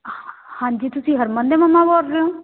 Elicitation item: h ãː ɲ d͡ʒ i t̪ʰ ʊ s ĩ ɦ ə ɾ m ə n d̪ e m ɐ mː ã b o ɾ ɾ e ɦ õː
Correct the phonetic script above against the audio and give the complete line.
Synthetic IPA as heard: h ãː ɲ d͡ʒ i t̪ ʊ s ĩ ɦ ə ɾ m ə n d̪ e m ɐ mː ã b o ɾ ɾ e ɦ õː